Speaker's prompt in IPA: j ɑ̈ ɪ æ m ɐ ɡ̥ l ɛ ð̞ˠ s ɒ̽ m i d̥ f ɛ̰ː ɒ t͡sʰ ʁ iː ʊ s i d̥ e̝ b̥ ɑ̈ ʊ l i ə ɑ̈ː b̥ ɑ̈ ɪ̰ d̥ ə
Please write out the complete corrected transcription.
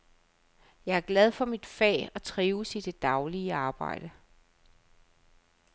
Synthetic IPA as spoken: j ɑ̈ ɪ æ ɐ ɡ̥ l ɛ ð̞ˠ f ɒ̽ m i d̥ f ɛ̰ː ɒ t͡sʰ ʁ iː ʊ s i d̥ e̝ d̥ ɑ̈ ʊ l i ə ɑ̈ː b̥ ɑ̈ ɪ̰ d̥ ə